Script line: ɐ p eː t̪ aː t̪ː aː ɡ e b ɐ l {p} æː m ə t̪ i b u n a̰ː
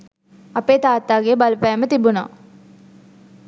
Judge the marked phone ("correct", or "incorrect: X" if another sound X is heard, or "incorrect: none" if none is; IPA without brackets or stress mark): correct